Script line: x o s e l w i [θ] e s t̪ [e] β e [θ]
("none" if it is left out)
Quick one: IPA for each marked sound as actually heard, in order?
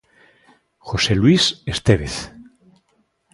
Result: s, e, θ

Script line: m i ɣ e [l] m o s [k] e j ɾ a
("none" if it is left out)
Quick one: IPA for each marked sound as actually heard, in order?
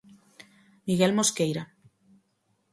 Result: l, k

